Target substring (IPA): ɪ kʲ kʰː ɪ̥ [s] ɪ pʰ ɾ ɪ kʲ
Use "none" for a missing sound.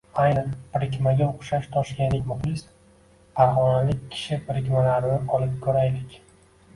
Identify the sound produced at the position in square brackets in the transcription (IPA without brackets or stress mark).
ʃ